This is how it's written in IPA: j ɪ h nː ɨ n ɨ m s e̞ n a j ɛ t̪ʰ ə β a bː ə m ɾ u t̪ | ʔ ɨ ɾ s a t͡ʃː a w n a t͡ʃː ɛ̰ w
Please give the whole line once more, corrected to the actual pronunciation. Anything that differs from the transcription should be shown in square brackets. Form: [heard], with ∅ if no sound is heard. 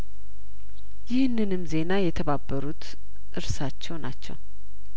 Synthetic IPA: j ɪ h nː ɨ n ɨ m [z] e̞ n a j ɛ t̪ʰ ə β a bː ə [∅] ɾ u t̪ | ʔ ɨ ɾ s a t͡ʃː [ɛ] w n a t͡ʃː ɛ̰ w